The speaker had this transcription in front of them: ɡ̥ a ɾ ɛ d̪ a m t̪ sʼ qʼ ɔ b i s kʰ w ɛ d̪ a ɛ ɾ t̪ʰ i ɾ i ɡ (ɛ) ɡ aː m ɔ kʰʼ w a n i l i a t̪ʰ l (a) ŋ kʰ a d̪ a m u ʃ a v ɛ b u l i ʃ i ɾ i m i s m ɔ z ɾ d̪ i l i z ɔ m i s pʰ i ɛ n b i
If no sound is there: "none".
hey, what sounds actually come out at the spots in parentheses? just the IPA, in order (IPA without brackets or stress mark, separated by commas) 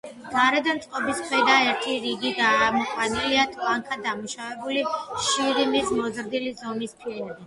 i, a